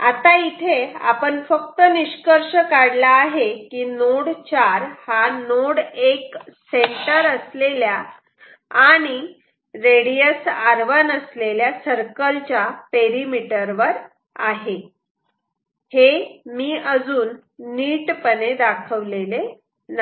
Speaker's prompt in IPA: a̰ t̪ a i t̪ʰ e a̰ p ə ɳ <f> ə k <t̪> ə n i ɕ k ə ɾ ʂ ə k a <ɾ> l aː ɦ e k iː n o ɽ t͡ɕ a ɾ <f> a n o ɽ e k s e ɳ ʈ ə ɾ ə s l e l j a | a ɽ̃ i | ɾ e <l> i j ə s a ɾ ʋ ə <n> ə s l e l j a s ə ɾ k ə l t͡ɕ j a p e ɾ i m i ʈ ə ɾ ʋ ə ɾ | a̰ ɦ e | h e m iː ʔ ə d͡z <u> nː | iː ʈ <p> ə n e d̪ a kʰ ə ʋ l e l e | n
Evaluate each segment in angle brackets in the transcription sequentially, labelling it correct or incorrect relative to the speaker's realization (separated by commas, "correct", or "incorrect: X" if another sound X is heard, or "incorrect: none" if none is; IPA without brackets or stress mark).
correct, correct, incorrect: ɽ, incorrect: h, incorrect: ɽ, correct, incorrect: uː, correct